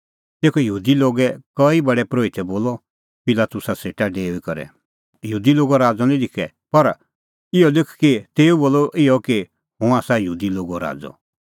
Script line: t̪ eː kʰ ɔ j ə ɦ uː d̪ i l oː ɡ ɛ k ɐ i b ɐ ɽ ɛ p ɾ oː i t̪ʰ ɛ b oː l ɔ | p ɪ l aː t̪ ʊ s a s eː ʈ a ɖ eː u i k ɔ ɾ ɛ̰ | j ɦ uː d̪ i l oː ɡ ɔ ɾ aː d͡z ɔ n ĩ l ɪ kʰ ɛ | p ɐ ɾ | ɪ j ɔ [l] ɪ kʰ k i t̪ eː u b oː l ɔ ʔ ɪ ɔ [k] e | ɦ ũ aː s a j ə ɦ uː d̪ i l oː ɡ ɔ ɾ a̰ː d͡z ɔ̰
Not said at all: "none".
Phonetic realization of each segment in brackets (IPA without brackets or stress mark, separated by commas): l, k